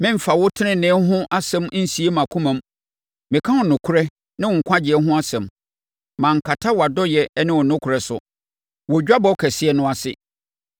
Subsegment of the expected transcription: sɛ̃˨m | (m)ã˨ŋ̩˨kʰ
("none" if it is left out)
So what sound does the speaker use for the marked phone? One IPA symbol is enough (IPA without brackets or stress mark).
m